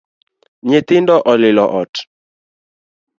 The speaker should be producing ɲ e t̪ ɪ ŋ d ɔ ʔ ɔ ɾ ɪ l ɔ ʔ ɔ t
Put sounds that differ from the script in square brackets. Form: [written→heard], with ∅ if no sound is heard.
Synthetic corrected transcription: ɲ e t̪ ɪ [ŋ→n] d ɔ ʔ ɔ [ɾ→l] ɪ l ɔ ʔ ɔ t